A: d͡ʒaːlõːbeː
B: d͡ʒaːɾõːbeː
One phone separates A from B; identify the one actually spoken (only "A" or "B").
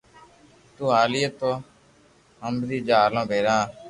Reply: A